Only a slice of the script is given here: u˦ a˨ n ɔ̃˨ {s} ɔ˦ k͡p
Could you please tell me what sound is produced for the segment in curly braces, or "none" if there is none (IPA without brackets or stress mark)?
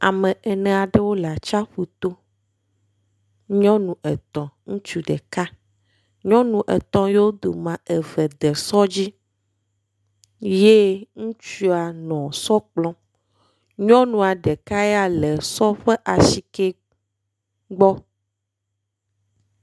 s